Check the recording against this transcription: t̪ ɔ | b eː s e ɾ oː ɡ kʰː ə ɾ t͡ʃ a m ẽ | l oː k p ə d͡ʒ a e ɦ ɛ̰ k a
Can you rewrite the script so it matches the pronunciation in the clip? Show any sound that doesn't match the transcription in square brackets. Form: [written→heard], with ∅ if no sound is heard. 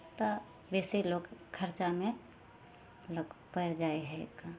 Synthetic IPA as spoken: t̪ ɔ | b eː s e [ɾ→l] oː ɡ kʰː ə ɾ t͡ʃ a m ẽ | l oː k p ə d͡ʒ a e ɦ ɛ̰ k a